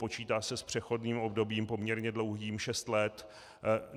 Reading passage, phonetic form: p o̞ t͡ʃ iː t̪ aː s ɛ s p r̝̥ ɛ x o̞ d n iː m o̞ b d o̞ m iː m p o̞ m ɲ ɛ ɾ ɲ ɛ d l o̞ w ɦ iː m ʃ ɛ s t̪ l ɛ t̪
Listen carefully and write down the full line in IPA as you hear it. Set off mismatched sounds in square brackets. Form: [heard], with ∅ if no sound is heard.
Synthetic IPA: p o̞ t͡ʃ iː t̪ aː s ɛ s p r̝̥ ɛ x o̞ d n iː m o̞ b d o̞ [b] iː m p o̞ m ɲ ɛ ɾ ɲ ɛ d l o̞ w ɦ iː m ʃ ɛ s t̪ l ɛ t̪